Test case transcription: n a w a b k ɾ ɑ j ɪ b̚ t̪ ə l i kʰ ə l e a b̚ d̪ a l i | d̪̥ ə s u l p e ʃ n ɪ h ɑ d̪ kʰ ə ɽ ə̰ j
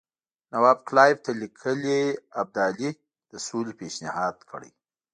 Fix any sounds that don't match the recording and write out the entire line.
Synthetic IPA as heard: n a w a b k l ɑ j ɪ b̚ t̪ a l i kʰ ə l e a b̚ d̪ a l i | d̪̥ ə s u l p e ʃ n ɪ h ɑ d̪ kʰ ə ɽ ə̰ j